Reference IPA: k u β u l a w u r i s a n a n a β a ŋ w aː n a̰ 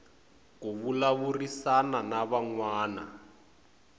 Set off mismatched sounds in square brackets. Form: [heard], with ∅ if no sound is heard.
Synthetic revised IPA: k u β u l a [β] u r i s a n a n a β a ŋ w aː n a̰